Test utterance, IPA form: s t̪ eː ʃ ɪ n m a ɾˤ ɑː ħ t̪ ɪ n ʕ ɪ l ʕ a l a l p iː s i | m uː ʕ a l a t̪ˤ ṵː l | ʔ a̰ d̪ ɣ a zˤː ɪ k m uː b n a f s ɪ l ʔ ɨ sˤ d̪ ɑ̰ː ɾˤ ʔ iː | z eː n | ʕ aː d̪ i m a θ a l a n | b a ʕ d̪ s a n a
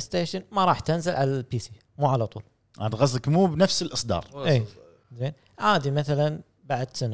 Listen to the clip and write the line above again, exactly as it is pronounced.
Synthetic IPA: s t̪ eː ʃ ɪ n m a ɾˤ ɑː ħ t̪ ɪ n z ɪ l ʕ a l a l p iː s i | m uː ʕ a l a t̪ˤ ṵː l | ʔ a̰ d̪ ɣ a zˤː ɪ k m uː b n a f s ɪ l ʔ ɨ sˤ d̪ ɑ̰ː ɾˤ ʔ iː | z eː n | ʕ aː d̪ i m a θ a l a n | b a ʕ d̪ s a n a